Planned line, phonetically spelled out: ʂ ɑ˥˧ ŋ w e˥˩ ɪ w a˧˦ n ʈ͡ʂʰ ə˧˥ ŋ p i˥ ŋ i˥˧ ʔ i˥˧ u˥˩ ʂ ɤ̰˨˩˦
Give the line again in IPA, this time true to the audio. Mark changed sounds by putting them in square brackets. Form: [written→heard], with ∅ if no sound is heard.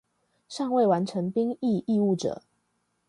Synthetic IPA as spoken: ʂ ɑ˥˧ ŋ w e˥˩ ɪ w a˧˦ n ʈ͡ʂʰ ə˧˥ ŋ p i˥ ŋ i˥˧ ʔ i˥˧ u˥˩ [ʂ→ʈ͡ʂ] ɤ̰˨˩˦